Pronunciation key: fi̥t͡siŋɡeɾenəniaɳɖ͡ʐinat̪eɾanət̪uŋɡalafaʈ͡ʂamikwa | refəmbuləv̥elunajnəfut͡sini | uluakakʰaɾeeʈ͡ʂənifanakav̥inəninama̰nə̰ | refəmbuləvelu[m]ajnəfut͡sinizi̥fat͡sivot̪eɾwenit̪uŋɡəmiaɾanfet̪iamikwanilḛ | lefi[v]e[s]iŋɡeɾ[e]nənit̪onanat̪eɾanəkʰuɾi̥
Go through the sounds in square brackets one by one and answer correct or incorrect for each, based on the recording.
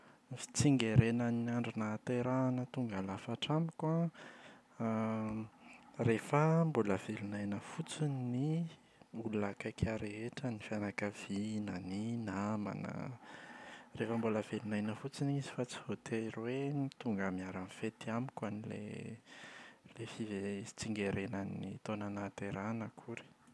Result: incorrect: n, correct, incorrect: t͡s, correct

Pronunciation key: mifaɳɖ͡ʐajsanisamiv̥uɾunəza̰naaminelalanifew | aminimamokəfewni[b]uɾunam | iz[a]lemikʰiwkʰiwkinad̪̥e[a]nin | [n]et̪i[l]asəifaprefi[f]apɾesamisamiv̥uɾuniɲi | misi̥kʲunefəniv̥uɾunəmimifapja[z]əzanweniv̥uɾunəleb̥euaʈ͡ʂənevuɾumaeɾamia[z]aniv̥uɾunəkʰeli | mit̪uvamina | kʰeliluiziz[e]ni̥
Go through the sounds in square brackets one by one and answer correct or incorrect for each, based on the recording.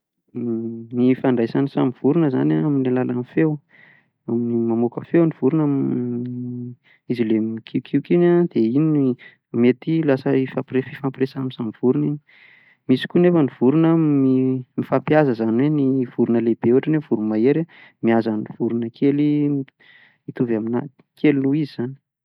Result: incorrect: v, incorrect: i, incorrect: i, incorrect: m, correct, correct, correct, correct, incorrect: a

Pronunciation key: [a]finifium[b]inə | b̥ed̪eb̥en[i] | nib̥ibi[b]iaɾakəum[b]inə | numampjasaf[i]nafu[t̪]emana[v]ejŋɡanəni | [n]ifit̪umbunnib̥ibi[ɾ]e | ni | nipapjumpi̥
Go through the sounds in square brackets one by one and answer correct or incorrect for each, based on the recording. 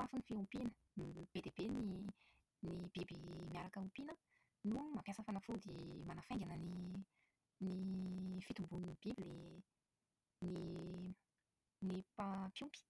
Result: correct, incorrect: p, correct, incorrect: m, incorrect: p, incorrect: a, incorrect: d̪, incorrect: f, correct, incorrect: l

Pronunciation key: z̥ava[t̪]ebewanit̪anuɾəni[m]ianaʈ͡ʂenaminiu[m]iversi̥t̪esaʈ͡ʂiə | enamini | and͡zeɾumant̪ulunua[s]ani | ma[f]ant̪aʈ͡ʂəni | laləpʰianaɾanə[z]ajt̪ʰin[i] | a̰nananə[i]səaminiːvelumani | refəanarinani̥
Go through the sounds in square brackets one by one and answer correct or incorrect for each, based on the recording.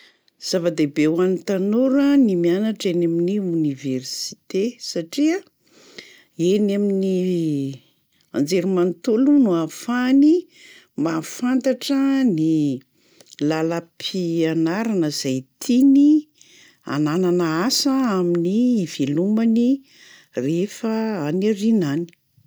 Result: incorrect: d̪, correct, incorrect: n, incorrect: f, correct, correct, correct, incorrect: a

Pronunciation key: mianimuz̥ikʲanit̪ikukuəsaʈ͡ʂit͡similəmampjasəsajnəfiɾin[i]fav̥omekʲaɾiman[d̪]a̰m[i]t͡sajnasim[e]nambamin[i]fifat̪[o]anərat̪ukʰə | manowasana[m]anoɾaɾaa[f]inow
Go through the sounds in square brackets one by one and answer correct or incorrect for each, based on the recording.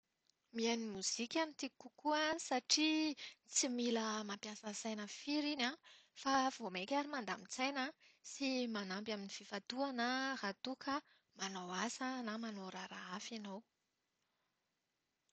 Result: incorrect: a, correct, correct, incorrect: a, correct, incorrect: u, correct, correct

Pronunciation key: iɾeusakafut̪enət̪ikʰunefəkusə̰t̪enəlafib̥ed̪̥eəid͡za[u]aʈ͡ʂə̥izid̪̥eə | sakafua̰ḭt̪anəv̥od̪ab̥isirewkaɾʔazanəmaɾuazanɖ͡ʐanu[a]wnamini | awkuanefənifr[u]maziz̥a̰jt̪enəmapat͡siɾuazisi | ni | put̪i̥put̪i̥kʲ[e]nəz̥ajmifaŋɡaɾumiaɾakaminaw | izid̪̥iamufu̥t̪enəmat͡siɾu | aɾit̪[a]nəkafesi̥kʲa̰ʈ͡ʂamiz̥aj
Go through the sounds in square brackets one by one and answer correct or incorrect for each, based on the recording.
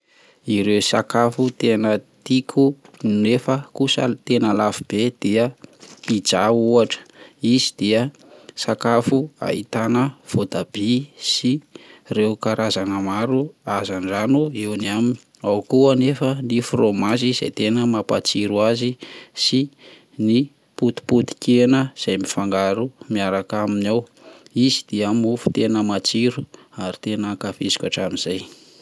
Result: correct, incorrect: e, incorrect: o, correct, incorrect: e

